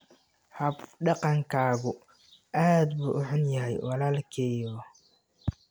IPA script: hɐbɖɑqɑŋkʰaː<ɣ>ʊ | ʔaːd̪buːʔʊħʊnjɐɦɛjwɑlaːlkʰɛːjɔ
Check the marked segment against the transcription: correct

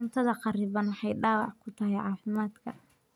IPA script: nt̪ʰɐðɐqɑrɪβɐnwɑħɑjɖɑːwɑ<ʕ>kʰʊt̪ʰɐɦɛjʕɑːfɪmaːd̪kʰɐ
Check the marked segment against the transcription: correct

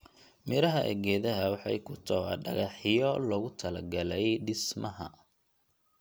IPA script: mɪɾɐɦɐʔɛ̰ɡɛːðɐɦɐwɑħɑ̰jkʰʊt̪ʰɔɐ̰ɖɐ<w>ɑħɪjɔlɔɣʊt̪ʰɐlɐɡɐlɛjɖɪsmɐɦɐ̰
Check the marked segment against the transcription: incorrect: ɣ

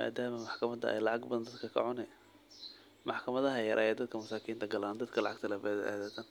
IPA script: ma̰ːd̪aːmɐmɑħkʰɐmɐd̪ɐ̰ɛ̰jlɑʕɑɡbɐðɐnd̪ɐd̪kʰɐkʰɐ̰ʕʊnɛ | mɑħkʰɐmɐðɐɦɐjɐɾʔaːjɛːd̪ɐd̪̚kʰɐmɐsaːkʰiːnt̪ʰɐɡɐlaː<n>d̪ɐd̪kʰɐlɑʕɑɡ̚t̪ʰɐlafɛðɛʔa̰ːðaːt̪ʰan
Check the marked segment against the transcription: correct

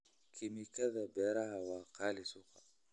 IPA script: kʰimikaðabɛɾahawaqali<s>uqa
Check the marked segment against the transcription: correct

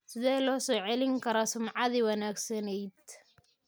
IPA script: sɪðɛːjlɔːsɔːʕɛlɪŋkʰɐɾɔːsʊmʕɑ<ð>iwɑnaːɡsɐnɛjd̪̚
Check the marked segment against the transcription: correct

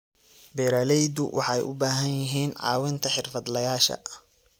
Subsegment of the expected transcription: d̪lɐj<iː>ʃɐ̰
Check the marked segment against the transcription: incorrect: aː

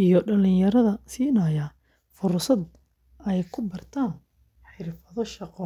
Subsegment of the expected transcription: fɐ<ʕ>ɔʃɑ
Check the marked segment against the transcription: incorrect: ð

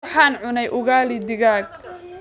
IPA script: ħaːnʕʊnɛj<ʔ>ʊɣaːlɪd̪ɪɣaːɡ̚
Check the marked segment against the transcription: correct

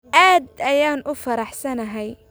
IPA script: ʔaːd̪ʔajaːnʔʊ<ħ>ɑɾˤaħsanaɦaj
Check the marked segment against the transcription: incorrect: f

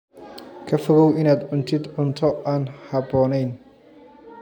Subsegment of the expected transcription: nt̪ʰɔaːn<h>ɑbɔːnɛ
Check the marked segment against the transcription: correct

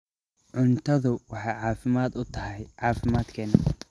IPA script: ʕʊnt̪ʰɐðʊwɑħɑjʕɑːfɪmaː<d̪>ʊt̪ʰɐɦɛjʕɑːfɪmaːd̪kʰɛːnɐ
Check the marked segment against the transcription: correct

